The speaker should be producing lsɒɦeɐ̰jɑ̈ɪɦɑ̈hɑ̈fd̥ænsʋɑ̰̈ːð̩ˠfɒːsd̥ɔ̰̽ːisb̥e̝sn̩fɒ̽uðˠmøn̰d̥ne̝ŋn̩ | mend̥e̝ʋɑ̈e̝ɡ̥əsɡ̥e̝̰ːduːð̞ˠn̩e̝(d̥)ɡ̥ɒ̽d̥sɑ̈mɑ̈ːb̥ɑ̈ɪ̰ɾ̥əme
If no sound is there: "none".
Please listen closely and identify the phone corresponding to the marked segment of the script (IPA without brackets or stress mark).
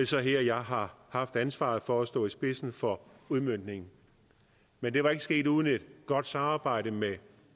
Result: d̥